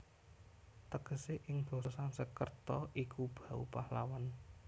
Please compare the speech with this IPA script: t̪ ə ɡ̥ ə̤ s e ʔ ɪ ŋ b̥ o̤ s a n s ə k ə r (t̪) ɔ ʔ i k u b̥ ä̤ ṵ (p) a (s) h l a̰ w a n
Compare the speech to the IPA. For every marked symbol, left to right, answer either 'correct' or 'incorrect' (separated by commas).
correct, correct, incorrect